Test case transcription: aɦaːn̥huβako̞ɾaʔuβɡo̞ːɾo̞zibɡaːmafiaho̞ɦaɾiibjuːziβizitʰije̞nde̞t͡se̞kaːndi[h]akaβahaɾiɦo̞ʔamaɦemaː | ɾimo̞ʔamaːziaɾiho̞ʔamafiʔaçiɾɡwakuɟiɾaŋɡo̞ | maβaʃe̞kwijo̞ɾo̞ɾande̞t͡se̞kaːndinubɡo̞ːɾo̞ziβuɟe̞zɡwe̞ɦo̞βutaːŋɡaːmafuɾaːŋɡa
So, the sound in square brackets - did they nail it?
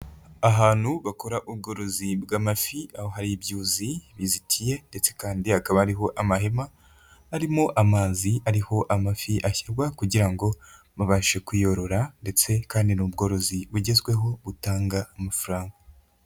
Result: yes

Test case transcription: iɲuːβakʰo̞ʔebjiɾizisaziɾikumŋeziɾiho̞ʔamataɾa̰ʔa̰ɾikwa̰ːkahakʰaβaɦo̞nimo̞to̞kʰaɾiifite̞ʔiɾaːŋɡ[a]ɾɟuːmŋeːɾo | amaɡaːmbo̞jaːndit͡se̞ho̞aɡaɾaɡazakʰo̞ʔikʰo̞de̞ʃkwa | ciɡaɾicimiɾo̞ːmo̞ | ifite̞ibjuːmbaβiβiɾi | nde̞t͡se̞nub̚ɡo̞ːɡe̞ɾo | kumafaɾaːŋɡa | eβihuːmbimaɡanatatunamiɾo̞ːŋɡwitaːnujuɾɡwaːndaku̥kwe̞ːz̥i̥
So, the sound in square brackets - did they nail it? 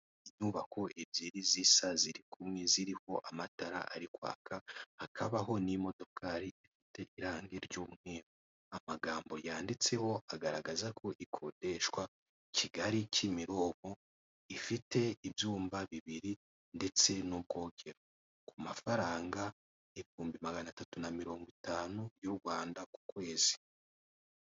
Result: no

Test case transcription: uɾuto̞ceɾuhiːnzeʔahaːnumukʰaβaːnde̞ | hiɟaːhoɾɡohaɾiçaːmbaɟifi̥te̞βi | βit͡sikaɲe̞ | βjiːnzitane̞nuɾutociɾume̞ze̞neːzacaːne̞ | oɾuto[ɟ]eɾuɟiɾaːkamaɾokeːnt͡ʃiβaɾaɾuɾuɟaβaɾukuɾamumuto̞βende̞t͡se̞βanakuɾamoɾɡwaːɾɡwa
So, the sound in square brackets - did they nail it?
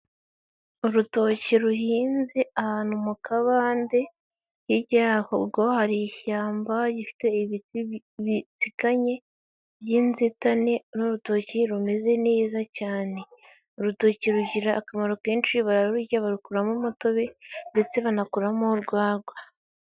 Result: no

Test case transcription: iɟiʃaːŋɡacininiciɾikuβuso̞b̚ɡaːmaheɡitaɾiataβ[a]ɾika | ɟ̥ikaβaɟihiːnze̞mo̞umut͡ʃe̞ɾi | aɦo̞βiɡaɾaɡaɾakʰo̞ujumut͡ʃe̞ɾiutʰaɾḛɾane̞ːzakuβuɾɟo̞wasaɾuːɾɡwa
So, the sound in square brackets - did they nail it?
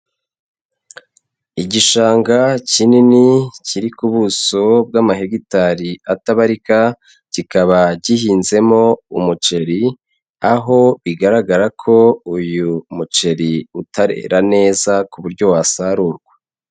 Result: yes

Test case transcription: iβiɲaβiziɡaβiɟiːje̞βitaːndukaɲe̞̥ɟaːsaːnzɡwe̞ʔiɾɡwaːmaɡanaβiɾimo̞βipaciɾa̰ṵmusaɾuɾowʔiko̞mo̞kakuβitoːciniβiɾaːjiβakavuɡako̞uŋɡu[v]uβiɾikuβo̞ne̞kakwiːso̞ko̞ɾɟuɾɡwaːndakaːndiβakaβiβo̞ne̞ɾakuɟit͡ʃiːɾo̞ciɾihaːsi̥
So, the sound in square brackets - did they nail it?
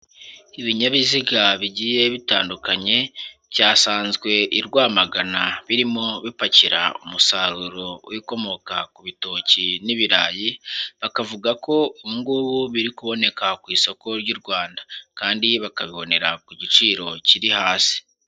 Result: no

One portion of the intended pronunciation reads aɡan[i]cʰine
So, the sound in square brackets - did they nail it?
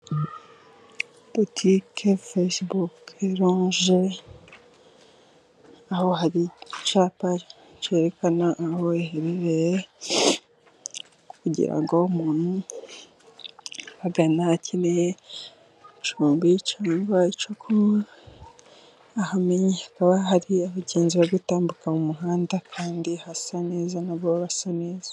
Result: no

